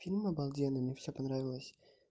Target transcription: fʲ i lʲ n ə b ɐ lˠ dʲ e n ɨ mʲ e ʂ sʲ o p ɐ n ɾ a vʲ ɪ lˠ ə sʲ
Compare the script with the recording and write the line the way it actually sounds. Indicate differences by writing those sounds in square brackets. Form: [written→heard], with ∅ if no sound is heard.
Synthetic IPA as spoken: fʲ i lʲ [n→m] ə b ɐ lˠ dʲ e n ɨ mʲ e [ʂ→f] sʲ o p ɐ n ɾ a vʲ ɪ lˠ ə sʲ